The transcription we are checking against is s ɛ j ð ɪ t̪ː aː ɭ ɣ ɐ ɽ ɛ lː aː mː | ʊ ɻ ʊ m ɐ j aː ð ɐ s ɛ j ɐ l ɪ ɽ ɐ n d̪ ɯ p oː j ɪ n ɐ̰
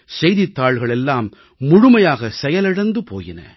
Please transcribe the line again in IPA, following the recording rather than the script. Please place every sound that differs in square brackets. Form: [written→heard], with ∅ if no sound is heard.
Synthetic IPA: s ɛ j ð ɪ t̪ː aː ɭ ɣ ɐ [ɽ→ɭ] ɛ lː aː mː | ʊ ɻ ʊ m ɐ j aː [ð→ɣ] ɐ s ɛ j ɐ l ɪ ɽ ɐ n d̪ ɯ p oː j ɪ n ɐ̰